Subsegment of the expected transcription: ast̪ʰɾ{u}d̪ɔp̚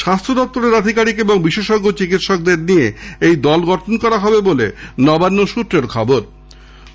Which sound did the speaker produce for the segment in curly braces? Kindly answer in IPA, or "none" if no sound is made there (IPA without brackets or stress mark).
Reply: o